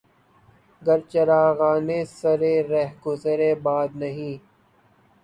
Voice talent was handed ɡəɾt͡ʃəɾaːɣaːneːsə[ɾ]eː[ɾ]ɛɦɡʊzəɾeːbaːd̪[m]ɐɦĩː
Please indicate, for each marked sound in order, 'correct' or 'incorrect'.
correct, correct, incorrect

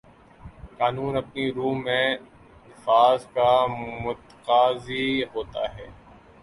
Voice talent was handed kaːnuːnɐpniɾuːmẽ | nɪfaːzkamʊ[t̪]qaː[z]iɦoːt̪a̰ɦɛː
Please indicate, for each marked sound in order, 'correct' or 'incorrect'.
correct, correct

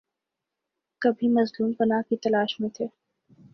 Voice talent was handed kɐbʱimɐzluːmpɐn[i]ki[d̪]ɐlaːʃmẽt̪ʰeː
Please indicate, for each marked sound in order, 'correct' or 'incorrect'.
incorrect, incorrect

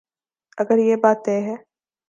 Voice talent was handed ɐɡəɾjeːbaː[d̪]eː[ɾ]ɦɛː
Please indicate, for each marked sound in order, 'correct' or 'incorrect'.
incorrect, incorrect

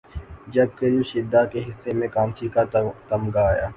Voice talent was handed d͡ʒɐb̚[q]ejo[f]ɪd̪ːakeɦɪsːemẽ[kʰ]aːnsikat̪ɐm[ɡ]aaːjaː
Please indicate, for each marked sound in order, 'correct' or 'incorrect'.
incorrect, incorrect, incorrect, correct

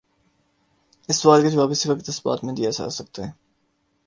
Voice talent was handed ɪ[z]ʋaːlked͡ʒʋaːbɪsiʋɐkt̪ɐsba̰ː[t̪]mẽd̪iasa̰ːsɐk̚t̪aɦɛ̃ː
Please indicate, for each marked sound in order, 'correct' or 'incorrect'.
incorrect, correct

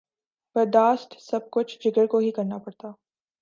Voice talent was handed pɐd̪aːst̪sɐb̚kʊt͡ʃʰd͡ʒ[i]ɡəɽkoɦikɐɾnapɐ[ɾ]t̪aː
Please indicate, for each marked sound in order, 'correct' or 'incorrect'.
incorrect, incorrect

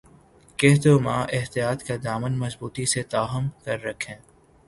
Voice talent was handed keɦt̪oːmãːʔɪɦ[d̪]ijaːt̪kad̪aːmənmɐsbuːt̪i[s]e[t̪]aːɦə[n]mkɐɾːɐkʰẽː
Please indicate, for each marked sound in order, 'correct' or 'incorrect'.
incorrect, correct, correct, incorrect

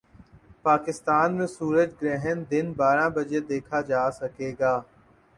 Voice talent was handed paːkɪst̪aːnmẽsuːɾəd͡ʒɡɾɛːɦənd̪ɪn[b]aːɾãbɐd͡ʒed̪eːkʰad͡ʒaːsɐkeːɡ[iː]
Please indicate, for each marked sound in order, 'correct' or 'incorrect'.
correct, incorrect

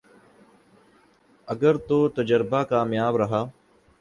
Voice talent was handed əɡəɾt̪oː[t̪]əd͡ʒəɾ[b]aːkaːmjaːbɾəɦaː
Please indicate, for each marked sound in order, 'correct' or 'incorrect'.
correct, correct

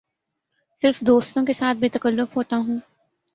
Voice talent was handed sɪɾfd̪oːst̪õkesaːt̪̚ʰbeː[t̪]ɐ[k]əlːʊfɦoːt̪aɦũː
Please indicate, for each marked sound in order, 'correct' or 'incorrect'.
correct, correct

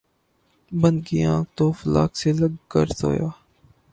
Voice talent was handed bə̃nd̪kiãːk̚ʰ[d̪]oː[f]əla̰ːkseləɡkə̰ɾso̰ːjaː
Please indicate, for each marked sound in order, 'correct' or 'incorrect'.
incorrect, correct

